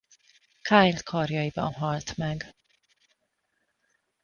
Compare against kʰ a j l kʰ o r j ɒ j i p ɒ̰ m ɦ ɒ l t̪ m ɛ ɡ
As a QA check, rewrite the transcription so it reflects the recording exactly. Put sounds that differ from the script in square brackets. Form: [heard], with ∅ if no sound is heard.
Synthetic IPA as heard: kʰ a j l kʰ [ɒ] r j ɒ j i [b] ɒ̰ [n] ɦ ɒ l t̪ m ɛ ɡ